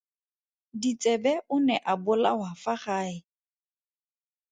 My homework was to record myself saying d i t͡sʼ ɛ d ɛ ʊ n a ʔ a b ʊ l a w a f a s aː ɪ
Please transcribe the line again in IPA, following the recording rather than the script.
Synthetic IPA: d i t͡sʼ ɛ b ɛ ʊ n ɛ ʔ a b ʊ l a w a f a χ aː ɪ